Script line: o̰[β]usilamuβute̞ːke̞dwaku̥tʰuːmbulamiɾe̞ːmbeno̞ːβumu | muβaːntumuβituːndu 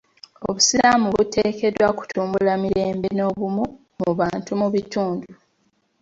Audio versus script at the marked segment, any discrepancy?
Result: no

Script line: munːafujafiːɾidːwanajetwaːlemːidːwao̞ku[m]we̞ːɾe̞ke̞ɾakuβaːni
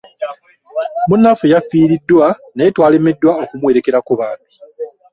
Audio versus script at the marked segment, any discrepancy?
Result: no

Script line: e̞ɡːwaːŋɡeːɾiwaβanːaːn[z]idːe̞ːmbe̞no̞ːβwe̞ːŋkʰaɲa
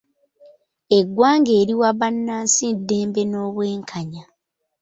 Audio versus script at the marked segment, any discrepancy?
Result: yes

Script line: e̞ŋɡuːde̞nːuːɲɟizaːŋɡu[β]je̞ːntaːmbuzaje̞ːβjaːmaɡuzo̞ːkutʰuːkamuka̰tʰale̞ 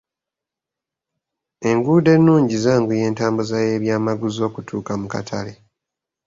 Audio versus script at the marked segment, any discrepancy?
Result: yes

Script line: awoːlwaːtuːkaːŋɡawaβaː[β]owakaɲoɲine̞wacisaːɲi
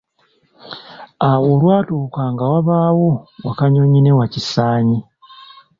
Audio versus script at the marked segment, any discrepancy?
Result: yes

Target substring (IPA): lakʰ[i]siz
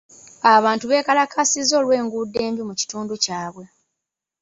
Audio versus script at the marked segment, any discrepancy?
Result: yes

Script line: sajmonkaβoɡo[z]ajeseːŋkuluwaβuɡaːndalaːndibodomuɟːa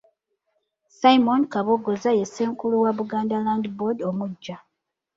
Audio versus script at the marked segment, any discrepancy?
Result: no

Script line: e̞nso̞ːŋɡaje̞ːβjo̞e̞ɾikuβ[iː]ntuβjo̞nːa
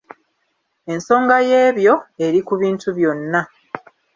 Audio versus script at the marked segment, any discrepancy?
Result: no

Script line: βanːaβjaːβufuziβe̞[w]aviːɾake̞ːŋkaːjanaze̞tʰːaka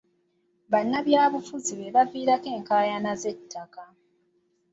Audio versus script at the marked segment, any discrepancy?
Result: yes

